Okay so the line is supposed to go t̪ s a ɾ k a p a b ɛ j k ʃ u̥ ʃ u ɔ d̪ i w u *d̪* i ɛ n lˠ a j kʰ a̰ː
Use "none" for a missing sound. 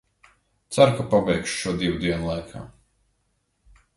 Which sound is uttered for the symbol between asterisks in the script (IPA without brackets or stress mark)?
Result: d̪